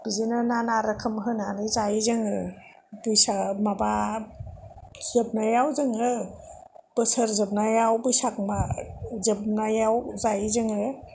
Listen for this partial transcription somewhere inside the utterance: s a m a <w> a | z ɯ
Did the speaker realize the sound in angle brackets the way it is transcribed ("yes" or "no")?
no